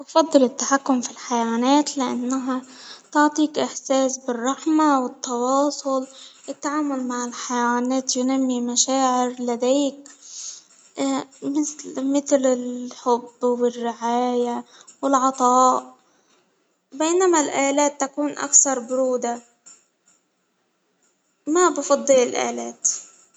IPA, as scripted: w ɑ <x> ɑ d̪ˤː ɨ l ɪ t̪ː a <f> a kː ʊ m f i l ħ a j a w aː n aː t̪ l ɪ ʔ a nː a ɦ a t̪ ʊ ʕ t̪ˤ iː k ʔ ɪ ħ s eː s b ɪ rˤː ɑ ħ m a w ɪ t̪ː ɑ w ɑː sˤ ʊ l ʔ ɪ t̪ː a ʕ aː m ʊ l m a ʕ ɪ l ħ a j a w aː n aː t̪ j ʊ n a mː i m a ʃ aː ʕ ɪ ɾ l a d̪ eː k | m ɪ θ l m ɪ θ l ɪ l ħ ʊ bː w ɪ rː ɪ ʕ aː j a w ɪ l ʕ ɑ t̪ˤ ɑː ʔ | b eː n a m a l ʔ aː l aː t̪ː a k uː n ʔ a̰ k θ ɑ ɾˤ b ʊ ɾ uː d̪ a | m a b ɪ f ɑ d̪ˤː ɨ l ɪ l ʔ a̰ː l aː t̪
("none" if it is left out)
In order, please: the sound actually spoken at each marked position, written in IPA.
f, ħ

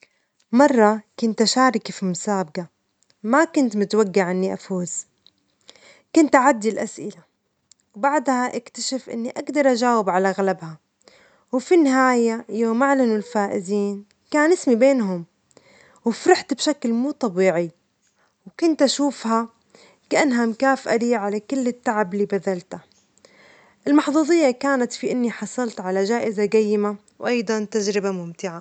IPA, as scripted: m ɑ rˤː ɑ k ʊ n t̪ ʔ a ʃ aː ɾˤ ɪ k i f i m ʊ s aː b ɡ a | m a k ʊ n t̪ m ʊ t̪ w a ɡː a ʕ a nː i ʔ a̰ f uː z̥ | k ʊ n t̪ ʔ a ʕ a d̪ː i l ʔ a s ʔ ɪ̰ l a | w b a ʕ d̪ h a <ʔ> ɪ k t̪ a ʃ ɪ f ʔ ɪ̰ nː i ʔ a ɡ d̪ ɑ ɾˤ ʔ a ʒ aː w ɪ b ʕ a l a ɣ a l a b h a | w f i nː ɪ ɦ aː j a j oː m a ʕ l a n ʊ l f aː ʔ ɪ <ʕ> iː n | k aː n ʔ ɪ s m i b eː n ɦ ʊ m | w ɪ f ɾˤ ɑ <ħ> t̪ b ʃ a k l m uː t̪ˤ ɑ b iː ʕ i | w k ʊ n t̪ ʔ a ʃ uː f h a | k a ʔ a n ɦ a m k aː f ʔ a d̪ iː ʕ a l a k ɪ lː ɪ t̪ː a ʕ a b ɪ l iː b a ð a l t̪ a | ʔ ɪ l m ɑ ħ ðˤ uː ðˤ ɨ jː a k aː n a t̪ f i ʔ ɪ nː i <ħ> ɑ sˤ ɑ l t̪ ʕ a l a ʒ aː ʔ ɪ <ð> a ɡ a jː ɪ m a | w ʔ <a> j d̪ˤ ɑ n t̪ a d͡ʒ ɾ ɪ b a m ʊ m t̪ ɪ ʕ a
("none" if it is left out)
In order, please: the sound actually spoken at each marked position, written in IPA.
ʔ, z, ħ, ħ, z, ɑ

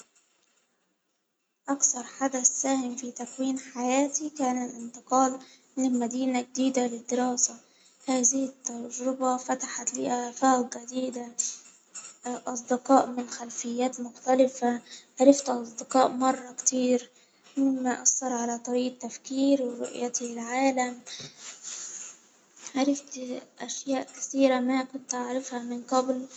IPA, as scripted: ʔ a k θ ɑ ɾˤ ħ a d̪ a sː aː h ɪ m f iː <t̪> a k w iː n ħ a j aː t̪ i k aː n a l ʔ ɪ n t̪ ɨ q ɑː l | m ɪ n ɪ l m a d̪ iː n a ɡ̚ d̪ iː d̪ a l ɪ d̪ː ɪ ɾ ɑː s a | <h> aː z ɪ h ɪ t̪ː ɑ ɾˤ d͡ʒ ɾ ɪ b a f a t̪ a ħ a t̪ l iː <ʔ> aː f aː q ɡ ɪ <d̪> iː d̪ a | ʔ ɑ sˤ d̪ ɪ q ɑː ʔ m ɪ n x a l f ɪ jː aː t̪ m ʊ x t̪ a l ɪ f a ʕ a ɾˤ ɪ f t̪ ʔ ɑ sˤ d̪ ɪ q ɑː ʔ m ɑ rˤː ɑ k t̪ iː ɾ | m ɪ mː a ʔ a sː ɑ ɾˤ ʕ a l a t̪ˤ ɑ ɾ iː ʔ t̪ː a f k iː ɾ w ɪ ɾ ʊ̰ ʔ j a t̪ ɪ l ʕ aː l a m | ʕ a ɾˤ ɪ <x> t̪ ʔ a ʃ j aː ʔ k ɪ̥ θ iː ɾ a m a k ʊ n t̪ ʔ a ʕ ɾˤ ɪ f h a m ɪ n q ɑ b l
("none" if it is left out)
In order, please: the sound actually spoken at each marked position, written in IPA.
t̪, h, ʔ, d̪, f

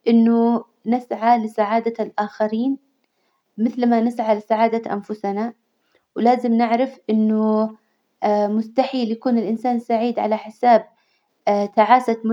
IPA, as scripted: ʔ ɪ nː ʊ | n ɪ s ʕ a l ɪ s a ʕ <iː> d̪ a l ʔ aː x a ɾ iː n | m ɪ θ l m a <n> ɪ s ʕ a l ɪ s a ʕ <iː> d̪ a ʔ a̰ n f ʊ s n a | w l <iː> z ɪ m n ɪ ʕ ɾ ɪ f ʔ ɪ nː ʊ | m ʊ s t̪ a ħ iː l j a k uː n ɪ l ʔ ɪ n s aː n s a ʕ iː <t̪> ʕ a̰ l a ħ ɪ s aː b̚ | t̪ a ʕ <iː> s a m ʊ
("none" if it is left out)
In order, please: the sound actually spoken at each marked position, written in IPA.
aː, n, aː, aː, d̪, aː

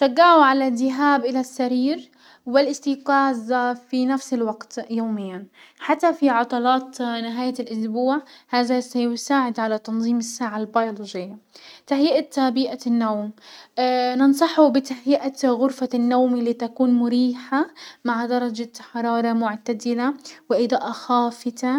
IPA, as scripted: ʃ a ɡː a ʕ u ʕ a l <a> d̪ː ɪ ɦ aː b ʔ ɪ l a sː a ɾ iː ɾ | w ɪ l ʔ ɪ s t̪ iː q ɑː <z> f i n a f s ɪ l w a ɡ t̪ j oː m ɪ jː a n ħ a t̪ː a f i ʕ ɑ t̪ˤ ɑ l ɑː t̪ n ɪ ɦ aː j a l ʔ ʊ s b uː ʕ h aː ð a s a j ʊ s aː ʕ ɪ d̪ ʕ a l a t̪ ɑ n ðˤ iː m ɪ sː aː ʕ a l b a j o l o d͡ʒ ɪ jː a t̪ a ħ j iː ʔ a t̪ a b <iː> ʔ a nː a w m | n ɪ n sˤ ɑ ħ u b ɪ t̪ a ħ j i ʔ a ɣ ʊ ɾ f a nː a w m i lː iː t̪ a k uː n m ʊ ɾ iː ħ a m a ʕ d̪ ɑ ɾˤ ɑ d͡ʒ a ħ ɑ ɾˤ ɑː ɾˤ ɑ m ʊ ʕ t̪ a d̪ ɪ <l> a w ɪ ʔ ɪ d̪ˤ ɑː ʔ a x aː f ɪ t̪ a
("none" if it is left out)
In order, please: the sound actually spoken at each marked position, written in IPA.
a, z, iː, l

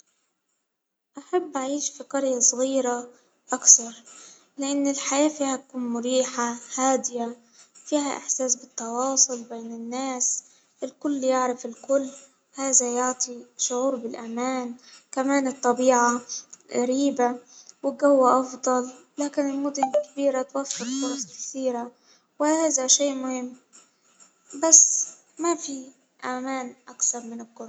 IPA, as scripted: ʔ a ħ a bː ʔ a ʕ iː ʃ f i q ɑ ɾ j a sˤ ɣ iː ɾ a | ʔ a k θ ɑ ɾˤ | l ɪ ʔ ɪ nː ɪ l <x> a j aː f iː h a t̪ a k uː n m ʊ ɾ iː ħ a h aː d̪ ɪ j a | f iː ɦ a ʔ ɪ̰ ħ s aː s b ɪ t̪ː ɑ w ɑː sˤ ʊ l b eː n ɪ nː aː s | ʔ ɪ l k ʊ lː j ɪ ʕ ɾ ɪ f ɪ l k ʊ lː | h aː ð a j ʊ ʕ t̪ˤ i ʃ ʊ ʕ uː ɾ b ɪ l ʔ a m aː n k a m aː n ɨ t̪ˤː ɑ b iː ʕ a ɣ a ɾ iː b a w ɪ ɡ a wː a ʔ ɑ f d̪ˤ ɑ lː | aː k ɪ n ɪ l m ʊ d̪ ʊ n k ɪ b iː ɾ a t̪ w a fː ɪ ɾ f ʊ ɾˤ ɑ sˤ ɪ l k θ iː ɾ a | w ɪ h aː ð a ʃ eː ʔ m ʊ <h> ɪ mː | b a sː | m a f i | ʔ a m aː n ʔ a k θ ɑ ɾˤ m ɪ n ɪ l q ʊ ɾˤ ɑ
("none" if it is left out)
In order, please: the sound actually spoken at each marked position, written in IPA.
ħ, h

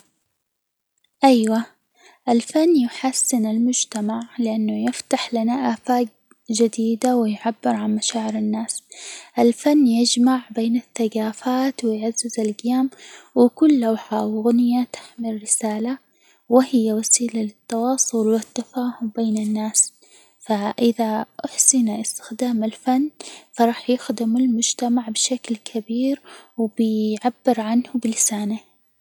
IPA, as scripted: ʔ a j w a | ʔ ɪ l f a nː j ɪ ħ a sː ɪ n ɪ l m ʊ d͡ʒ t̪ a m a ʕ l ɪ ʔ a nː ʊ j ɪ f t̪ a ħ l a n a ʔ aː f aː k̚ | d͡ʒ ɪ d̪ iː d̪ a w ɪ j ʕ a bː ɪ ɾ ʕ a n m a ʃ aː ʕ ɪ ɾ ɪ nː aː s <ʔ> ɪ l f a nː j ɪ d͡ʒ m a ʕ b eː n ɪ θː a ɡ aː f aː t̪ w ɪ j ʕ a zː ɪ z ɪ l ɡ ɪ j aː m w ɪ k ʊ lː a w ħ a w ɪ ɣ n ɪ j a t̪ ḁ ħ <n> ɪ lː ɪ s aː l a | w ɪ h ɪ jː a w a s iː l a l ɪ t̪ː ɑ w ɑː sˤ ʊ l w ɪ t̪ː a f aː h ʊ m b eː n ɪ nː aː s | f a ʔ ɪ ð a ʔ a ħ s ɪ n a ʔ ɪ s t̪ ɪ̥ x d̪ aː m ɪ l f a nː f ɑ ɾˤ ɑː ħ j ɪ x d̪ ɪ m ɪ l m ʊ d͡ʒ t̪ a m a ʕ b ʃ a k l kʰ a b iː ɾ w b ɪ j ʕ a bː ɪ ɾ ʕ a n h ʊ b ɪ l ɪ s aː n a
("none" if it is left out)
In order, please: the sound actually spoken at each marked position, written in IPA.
ʔ, m

